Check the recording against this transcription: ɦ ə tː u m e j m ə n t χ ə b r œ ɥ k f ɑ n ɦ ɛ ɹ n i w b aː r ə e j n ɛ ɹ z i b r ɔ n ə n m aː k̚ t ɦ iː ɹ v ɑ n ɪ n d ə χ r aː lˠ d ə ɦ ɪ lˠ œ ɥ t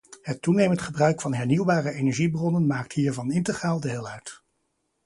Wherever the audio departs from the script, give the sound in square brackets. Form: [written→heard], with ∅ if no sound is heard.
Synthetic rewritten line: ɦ ə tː u [m→n] e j m ə n t χ ə b r œ ɥ k f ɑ n ɦ ɛ ɹ n i w b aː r ə e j n ɛ ɹ [z→ʒ] i b r ɔ n ə n m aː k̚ t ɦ iː ɹ v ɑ n ɪ n [d→t] ə χ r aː lˠ d ə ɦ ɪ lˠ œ ɥ t